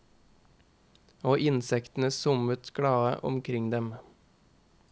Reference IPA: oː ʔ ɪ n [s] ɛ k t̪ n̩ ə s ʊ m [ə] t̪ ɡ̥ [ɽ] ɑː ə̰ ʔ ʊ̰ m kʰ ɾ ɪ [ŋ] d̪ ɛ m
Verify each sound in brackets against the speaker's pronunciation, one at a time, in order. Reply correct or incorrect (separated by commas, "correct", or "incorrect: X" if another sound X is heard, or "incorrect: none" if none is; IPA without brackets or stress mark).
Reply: correct, correct, correct, correct